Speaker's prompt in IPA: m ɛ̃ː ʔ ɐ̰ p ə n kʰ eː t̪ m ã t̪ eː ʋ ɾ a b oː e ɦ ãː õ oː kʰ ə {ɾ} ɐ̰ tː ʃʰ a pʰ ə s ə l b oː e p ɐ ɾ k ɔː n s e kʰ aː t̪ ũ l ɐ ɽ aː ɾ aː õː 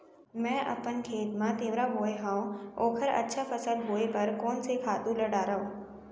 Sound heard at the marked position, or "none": ɾ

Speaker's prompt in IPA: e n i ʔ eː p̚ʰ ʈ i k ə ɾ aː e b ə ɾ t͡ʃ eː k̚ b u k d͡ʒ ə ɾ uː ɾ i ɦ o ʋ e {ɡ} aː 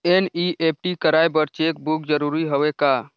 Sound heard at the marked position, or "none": k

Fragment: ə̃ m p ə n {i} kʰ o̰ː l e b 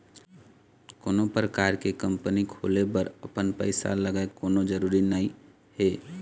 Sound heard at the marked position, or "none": i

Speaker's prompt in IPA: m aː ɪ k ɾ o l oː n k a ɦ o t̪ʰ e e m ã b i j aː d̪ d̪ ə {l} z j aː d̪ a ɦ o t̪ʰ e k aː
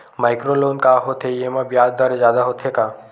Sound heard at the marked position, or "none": ɾ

